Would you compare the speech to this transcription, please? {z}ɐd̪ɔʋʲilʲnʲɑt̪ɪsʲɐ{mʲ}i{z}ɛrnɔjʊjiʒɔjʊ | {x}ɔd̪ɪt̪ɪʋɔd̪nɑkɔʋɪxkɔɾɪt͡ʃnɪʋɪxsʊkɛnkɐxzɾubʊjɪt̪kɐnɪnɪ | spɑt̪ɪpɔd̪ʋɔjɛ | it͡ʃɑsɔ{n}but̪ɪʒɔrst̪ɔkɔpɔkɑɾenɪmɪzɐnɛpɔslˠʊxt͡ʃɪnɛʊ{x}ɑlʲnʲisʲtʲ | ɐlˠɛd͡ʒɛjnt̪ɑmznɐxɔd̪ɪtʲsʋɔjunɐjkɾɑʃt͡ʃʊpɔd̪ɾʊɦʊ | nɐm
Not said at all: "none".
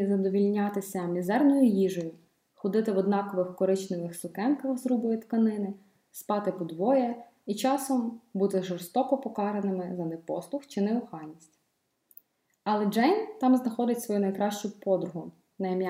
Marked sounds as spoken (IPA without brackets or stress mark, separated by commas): z, mʲ, z, x, m, x